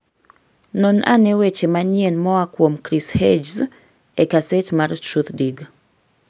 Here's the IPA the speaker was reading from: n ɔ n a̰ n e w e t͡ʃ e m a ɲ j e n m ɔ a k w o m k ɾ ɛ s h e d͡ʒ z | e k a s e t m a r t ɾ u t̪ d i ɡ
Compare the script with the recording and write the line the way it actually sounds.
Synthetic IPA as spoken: n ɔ n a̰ n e w e t͡ʃ e m a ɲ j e n m ɔ a k w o m k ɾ i s h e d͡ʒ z | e k a s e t m a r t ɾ u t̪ d i ɡ